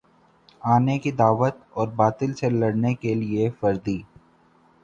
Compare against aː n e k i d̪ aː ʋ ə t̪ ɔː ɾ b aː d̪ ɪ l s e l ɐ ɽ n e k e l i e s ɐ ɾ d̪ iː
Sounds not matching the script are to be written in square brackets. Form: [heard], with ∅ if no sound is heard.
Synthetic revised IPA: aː n e k i d̪ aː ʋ ə t̪ ɔː ɾ b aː [t̪] ɪ l s e l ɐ ɽ n e k e l i e [f] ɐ ɾ d̪ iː